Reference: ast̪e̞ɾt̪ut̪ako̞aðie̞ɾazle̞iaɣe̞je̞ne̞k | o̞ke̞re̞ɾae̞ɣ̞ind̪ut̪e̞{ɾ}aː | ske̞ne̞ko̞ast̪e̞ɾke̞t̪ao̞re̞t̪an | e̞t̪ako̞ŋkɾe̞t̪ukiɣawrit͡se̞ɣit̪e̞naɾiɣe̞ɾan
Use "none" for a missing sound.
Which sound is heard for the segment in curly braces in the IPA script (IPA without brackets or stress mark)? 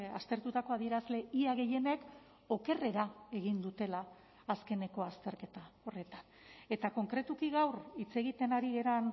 l